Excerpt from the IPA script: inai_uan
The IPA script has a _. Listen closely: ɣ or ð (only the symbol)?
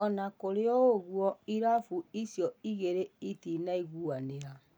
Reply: ɣ